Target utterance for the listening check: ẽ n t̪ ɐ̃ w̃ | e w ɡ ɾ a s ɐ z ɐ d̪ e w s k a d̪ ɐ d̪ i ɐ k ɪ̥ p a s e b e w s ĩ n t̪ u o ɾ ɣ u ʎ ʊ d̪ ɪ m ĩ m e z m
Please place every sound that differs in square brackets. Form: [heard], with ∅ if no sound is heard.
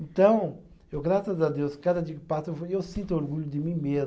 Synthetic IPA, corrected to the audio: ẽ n t̪ ɐ̃ w̃ | e w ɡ ɾ a s ɐ z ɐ d̪ e w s k a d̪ ɐ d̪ i ɐ k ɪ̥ p a s e [w] e w s ĩ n t̪ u o ɾ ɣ u ʎ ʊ d̪ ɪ m ĩ m e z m